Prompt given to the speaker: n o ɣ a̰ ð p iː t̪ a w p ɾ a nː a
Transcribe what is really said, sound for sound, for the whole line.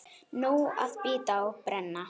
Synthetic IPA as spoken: n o w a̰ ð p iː t̪ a w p ɾ ɛ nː a